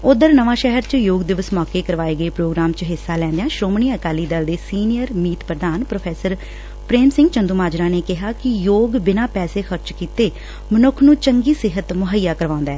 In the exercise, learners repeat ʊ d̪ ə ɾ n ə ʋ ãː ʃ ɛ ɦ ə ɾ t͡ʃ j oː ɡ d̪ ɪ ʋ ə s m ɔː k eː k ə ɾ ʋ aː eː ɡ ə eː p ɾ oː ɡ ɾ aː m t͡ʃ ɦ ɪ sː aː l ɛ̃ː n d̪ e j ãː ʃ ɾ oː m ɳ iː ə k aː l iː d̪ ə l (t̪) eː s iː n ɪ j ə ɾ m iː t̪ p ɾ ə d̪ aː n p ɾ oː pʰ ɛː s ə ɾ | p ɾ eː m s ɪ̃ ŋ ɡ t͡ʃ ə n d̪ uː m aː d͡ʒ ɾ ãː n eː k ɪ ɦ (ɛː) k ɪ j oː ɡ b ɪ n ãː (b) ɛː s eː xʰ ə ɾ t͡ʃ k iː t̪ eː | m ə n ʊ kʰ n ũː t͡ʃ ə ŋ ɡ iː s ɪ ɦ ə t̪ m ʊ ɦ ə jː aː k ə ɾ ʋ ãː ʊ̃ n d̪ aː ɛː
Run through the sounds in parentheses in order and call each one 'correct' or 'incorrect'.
incorrect: d̪, incorrect: aː, incorrect: p

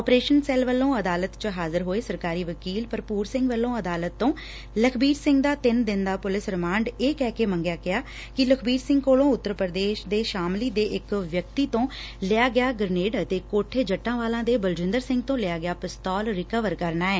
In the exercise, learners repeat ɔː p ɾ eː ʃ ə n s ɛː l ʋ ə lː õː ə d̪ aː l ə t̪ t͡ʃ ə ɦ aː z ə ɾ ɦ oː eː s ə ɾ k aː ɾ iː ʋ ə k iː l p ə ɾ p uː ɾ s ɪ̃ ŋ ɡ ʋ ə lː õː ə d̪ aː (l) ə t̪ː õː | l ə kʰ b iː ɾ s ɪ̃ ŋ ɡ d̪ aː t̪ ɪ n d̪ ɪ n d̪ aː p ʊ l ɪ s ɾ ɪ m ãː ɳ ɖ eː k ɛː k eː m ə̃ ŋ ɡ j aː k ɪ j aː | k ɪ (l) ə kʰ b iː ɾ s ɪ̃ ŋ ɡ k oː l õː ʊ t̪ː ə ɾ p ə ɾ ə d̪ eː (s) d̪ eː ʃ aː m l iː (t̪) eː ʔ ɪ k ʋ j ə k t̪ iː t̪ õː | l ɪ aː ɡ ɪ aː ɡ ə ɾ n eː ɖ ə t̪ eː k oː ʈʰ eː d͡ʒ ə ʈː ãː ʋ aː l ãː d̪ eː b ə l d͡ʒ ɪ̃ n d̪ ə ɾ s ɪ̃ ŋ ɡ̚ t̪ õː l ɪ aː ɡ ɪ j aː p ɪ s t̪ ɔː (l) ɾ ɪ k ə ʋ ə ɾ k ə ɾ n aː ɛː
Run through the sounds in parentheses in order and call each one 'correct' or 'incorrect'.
correct, correct, incorrect: ʃ, incorrect: d̪, correct

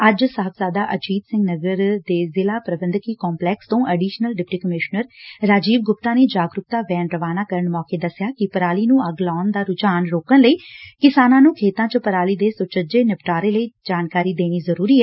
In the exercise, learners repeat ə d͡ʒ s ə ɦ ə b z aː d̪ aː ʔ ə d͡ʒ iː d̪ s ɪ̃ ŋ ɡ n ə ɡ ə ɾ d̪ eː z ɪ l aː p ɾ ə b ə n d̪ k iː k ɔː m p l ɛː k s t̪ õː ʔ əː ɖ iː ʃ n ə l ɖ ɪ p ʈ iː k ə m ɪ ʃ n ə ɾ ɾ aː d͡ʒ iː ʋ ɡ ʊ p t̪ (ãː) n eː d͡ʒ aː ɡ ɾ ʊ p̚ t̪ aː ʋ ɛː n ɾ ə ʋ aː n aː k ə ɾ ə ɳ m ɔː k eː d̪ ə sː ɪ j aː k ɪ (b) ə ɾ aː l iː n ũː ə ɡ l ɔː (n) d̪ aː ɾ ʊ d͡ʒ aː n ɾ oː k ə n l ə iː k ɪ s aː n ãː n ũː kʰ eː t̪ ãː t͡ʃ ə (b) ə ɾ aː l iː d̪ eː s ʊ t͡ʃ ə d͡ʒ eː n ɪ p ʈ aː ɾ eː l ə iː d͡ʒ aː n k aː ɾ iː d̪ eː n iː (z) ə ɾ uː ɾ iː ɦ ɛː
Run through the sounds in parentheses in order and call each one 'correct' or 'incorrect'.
incorrect: aː, incorrect: p, correct, incorrect: p, correct

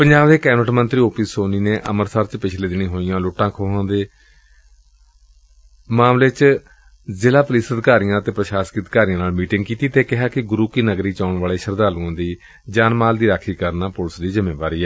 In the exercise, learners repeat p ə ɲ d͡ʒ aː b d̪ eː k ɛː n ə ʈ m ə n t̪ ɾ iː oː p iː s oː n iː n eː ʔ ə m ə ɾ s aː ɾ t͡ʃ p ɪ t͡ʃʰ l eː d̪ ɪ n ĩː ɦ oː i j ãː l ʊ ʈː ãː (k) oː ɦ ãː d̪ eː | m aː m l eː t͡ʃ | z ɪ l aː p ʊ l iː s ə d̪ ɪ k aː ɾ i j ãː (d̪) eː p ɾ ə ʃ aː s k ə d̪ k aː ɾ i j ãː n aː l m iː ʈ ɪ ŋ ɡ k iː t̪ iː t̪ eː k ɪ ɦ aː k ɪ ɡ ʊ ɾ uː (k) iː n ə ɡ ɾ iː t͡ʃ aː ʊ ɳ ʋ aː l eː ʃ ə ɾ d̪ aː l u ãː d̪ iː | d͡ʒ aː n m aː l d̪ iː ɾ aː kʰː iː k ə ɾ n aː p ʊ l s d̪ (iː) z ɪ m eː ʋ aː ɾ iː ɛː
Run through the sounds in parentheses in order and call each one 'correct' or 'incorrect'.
incorrect: kʰ, incorrect: t̪, correct, correct

